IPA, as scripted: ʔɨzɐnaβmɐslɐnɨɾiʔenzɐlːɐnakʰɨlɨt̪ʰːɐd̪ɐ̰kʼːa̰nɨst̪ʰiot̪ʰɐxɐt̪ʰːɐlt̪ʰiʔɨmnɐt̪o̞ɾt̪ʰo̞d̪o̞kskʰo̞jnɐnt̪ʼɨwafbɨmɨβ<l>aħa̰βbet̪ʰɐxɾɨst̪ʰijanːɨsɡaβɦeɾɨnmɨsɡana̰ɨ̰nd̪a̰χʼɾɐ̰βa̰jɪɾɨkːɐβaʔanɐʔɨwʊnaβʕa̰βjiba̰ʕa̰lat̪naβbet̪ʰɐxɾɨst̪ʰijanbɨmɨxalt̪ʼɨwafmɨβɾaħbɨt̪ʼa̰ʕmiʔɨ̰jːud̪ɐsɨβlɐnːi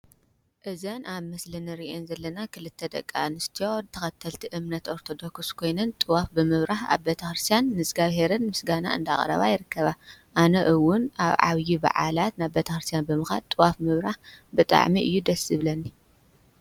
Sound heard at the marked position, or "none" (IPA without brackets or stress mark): ɾ